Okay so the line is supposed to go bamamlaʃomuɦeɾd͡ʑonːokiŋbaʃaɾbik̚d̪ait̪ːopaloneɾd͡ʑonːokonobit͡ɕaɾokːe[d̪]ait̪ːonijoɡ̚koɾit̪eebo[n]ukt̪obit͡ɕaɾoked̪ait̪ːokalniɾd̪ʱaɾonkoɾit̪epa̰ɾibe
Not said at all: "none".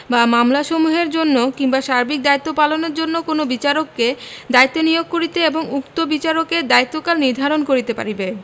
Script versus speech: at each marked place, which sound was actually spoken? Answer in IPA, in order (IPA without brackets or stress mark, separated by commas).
d̪, ŋ